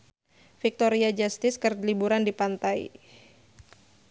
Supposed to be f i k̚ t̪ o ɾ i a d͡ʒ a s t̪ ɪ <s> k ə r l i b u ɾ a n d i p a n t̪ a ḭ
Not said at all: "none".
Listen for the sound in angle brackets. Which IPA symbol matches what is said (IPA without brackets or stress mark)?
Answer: s